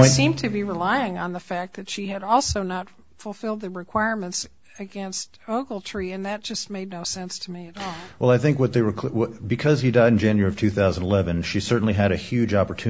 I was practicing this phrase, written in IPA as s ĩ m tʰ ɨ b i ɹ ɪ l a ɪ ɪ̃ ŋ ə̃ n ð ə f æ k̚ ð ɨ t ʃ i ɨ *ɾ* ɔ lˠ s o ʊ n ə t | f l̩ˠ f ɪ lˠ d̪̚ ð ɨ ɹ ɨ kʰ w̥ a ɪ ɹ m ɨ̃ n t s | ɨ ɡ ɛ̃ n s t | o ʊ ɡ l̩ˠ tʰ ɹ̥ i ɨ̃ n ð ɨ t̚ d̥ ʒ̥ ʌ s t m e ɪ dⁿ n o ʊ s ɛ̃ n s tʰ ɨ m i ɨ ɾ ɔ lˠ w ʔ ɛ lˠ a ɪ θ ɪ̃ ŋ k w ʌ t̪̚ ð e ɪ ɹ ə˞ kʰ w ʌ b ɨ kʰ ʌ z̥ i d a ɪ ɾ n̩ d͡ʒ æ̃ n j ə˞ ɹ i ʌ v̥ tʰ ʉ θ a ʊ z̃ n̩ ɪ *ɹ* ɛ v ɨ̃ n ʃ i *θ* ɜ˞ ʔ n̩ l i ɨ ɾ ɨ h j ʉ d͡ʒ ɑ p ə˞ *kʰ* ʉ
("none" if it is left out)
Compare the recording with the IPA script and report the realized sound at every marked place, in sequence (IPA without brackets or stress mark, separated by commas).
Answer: ɾ, l, s, tʰ